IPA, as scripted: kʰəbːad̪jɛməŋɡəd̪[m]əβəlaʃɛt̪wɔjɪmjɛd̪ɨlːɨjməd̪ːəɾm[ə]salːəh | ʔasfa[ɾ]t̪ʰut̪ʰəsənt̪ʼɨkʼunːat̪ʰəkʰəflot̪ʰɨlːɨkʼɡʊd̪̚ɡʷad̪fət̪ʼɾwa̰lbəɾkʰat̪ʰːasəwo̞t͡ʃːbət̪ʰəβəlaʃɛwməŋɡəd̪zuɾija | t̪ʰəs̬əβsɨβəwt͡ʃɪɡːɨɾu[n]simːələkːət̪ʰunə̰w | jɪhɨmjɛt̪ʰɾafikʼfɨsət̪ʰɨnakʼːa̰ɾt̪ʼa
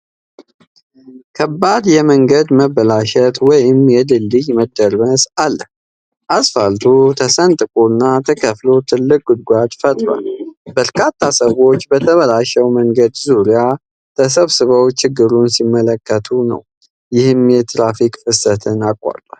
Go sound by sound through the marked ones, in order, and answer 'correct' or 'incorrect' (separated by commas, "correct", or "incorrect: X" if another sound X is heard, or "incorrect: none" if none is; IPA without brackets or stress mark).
correct, correct, incorrect: l, correct